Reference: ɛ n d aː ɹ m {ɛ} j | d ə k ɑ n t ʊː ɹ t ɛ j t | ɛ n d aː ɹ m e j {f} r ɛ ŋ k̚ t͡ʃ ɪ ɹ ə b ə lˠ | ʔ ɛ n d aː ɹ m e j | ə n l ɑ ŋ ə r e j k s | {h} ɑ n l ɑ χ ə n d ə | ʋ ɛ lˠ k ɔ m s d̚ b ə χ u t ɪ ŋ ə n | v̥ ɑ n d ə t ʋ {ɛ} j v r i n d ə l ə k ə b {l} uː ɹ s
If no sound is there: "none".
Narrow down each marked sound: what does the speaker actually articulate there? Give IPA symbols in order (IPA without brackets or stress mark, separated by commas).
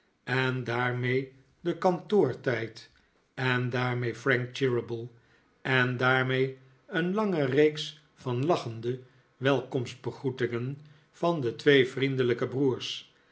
e, f, f, e, r